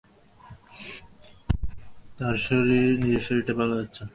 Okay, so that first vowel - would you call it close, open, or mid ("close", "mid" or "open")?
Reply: open